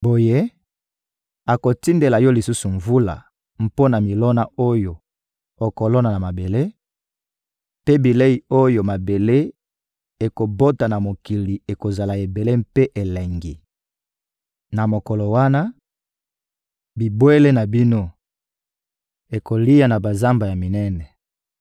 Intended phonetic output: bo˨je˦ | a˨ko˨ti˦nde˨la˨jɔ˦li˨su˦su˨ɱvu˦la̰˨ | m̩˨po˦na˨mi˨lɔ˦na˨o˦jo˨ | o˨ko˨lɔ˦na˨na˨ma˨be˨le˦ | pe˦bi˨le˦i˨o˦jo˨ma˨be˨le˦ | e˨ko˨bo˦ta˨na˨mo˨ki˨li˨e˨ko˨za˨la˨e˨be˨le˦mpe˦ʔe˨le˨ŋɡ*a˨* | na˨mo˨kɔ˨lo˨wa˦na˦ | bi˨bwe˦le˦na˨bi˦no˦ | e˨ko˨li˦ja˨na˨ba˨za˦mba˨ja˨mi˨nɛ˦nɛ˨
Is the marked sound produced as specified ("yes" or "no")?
no